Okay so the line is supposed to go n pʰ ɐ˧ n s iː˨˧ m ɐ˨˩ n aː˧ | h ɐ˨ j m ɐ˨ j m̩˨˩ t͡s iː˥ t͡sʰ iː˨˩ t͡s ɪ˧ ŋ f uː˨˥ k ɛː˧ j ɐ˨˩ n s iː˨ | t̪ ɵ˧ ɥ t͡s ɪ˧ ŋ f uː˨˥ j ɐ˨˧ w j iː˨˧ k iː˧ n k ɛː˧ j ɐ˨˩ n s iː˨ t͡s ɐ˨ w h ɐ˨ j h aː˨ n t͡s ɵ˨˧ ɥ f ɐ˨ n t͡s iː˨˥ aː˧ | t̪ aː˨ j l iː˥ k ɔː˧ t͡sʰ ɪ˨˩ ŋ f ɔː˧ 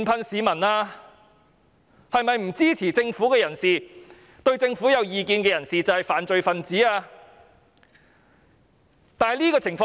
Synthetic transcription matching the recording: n pʰ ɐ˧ n s iː˨˧ m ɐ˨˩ n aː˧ | h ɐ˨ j m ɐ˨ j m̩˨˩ t͡s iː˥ t͡sʰ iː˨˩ t͡s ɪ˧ ŋ f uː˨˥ k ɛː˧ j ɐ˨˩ n s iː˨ | t̪ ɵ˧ ɥ t͡s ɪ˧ ŋ f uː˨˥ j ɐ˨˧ w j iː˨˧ k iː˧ n k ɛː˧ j ɐ˨˩ n s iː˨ t͡s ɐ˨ w h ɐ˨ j f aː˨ n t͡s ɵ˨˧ ɥ f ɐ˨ n t͡s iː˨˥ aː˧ | t̪ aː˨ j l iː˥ k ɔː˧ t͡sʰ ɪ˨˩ ŋ f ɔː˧